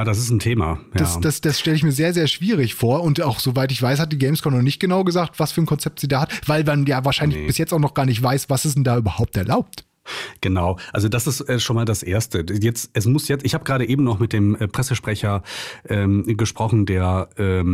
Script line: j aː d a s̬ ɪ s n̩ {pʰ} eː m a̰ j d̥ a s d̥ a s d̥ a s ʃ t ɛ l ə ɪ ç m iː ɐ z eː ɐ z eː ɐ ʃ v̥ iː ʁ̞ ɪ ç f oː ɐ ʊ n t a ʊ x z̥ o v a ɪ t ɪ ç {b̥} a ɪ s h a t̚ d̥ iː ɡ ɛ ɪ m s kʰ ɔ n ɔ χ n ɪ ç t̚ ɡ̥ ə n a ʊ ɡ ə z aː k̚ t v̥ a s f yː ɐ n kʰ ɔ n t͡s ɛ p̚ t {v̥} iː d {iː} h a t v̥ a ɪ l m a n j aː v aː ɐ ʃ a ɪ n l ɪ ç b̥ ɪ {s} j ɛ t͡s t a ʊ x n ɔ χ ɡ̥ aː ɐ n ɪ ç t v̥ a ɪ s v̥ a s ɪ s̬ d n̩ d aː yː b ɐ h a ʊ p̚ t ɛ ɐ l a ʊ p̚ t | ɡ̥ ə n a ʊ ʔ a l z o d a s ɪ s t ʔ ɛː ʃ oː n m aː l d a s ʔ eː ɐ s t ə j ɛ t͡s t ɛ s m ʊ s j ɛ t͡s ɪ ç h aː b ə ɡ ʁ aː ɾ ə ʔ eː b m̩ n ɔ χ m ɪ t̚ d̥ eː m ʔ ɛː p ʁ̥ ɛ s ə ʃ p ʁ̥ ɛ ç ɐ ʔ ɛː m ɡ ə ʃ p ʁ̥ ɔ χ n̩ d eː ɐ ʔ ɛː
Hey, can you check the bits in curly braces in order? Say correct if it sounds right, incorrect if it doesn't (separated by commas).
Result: incorrect, incorrect, incorrect, incorrect, correct